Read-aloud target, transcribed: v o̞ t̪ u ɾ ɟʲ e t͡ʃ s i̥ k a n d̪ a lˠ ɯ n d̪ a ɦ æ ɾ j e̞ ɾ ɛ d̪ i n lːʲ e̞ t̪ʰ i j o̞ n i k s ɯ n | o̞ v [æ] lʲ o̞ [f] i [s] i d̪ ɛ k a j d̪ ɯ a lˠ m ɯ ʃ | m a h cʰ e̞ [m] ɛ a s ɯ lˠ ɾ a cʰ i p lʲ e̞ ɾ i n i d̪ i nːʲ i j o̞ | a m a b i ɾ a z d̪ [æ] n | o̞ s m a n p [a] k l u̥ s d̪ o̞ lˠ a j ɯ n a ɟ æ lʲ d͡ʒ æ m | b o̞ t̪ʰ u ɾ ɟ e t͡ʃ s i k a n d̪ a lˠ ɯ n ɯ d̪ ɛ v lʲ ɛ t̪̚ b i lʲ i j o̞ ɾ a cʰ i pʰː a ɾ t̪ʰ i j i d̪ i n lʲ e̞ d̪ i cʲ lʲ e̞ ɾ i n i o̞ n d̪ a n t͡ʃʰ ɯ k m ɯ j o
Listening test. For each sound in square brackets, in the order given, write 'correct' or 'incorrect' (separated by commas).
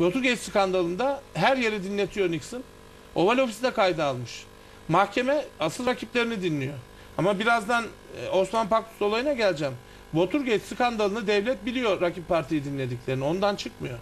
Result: incorrect, correct, correct, correct, incorrect, correct